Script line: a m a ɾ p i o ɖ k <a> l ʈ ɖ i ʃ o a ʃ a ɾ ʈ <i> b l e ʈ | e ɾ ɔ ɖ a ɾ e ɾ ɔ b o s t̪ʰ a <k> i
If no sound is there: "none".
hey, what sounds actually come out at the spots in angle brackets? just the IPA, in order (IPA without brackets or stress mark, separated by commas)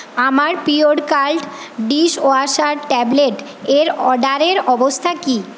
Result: a, ɛ, k